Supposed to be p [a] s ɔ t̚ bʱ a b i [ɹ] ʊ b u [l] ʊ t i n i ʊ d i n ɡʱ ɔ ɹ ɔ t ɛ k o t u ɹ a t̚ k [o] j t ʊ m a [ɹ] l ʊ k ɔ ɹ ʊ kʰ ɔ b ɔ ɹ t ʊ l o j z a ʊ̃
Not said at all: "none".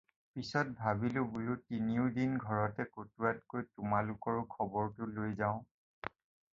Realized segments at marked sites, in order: i, l, l, o, none

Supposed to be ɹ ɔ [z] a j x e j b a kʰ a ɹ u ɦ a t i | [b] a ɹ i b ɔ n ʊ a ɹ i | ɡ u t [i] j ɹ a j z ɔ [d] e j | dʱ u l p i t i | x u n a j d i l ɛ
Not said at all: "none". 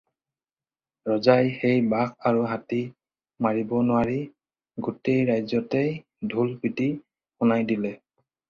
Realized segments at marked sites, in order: z, m, e, t

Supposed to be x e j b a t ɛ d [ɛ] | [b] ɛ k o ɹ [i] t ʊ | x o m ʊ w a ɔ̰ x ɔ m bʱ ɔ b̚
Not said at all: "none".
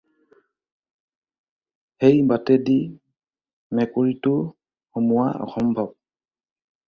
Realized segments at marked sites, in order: i, m, i

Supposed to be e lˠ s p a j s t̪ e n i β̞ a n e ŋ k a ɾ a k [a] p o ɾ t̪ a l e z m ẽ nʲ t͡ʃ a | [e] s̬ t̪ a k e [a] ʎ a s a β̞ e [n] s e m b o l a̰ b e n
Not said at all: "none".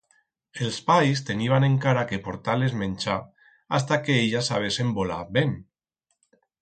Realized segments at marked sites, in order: e, a, e, none

